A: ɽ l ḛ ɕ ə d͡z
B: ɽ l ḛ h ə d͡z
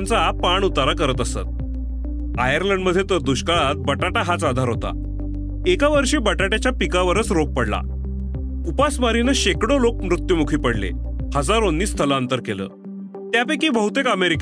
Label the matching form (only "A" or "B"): B